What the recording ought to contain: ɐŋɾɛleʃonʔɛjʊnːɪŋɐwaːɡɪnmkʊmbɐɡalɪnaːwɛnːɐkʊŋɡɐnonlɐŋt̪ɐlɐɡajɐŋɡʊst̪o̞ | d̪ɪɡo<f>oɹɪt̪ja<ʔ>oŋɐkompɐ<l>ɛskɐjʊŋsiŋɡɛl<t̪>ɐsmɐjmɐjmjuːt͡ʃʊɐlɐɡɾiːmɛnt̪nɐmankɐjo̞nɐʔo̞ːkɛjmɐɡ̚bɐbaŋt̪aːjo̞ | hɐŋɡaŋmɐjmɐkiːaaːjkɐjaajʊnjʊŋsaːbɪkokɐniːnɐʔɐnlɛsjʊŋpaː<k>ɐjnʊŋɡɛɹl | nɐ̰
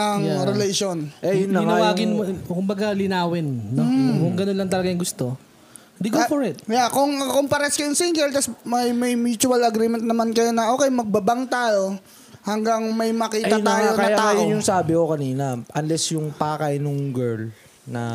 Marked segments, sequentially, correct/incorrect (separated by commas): correct, incorrect, incorrect, correct, correct